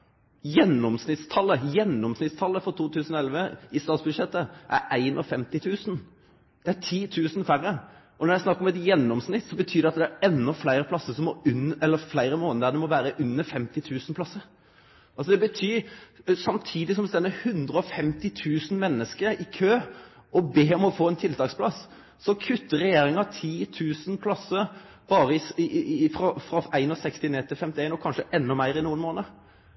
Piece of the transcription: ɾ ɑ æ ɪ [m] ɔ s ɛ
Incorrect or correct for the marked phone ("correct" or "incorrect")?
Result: incorrect